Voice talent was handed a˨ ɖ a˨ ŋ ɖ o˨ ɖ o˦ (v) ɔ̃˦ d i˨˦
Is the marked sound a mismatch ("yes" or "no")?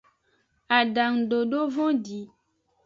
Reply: no